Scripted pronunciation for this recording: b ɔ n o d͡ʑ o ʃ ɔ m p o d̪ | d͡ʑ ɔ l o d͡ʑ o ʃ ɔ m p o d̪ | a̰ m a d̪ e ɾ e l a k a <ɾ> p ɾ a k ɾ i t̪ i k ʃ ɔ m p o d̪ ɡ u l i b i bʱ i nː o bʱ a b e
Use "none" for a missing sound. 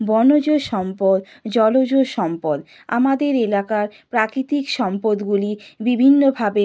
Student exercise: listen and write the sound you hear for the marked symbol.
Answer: ɾ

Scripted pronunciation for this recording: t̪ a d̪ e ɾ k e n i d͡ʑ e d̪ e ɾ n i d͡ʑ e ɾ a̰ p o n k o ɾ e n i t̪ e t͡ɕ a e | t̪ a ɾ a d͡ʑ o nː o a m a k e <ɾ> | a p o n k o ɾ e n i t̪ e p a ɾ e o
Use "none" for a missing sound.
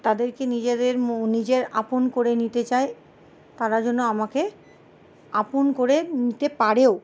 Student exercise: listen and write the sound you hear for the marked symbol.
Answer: none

